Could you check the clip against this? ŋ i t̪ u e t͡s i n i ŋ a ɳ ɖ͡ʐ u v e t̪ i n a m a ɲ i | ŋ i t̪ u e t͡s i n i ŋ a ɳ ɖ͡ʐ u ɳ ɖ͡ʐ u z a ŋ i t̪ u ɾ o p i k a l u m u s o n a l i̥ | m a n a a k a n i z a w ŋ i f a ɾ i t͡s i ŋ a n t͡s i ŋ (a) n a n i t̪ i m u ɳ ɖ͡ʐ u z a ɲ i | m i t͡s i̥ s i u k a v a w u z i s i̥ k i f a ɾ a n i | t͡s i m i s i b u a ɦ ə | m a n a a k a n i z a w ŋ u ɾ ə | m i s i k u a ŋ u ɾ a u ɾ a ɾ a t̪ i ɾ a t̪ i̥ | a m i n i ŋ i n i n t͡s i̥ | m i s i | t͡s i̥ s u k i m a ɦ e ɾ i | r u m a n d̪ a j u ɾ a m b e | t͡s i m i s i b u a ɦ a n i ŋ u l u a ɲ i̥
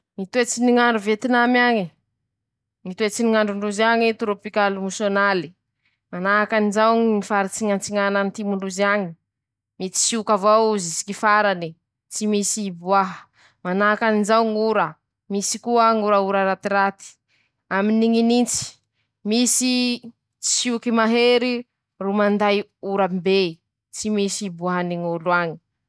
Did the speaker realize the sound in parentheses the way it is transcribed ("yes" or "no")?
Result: yes